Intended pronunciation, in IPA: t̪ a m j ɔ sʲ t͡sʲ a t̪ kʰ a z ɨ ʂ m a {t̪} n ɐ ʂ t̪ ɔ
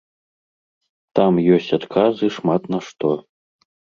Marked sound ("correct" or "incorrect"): correct